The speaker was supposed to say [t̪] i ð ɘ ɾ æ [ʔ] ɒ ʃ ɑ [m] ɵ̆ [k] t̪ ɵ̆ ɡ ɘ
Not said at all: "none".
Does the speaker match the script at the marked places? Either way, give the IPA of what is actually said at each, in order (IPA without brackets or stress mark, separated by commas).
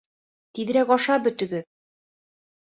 t̪, k, b, none